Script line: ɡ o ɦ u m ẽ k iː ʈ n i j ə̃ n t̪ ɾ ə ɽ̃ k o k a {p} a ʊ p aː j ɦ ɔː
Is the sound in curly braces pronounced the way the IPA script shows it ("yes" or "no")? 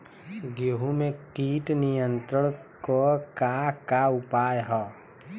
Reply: no